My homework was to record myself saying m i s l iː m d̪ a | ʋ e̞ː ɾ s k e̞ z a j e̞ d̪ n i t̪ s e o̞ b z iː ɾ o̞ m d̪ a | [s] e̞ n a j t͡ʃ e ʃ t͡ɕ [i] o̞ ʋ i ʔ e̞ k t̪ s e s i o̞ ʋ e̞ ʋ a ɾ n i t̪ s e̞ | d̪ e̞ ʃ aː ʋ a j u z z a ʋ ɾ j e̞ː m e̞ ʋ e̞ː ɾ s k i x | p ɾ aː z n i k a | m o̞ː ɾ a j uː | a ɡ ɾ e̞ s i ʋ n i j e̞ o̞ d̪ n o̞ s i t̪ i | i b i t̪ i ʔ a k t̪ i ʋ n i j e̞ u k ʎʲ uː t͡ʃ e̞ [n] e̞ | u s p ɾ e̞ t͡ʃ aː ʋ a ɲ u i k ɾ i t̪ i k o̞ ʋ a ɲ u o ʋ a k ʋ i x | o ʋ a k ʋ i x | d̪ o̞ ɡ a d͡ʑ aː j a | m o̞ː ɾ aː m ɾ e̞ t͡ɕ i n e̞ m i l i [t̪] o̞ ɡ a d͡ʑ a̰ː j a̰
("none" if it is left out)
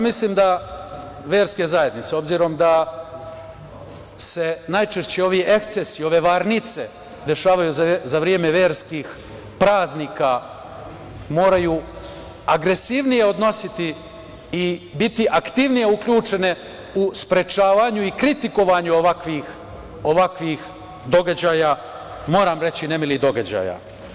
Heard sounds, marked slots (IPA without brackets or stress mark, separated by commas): s, e, n, d̪